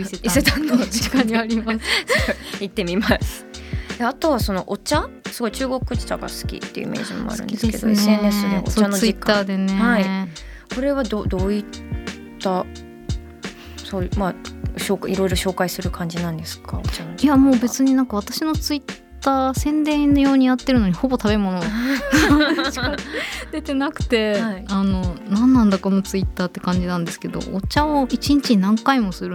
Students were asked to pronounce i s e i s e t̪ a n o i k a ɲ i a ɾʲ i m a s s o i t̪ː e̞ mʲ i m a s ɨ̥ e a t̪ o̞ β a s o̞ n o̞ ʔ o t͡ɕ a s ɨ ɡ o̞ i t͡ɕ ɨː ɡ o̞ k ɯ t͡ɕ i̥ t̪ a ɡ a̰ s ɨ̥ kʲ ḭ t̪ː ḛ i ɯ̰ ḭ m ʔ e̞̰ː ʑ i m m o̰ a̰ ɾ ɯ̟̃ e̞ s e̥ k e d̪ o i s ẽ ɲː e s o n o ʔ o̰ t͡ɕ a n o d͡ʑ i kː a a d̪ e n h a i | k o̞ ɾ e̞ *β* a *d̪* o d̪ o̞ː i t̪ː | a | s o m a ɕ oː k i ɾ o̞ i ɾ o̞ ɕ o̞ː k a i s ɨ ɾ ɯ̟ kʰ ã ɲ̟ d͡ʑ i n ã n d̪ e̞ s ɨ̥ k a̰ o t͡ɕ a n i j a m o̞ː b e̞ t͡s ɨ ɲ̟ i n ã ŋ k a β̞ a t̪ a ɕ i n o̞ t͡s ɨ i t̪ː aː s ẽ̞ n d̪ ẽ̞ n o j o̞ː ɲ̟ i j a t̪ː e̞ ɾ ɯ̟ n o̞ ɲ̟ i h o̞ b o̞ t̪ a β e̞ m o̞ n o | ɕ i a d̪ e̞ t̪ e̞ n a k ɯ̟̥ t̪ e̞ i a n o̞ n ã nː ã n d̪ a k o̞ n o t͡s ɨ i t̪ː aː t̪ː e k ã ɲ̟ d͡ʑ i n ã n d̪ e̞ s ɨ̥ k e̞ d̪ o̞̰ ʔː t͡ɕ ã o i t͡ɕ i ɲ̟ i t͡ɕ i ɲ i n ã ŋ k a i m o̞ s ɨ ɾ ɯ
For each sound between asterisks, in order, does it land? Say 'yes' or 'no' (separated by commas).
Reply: yes, yes